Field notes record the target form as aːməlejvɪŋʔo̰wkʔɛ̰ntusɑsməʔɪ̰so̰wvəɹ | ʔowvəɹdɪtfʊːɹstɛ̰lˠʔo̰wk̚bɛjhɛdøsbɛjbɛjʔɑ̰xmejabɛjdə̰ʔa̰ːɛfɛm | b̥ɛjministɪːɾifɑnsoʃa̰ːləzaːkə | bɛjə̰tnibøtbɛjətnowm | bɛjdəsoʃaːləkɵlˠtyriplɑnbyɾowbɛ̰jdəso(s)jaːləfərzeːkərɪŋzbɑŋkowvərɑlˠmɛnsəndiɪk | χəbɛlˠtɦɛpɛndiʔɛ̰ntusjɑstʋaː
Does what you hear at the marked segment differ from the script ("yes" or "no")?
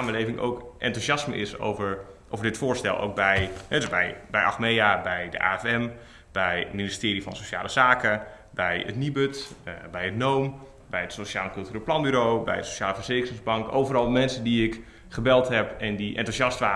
yes